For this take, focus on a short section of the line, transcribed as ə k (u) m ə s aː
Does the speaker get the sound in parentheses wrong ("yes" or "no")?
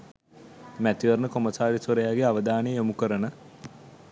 yes